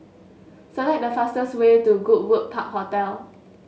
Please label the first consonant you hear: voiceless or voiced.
voiceless